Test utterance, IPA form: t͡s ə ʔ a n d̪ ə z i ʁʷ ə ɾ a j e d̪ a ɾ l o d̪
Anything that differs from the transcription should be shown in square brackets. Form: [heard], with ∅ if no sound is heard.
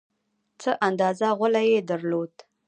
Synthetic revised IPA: t͡s ə ʔ a n d̪ [ɑ] z [a] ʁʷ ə [l] a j e d̪ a ɾ l o d̪